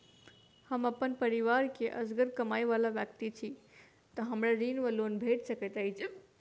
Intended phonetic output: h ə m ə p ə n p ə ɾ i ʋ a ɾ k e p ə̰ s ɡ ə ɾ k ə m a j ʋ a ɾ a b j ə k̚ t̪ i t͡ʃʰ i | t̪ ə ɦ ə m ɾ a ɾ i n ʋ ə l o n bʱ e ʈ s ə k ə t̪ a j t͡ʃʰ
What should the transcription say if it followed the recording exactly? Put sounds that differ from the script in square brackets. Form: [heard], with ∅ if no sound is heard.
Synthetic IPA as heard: h ə m ə p ə n p ə ɾ i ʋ a ɾ k e [ʔ] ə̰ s ɡ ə ɾ k ə m a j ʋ a [l] a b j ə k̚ t̪ i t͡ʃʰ i | t̪ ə ɦ ə m ɾ a ɾ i n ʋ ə l o n bʱ e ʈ s ə k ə t̪ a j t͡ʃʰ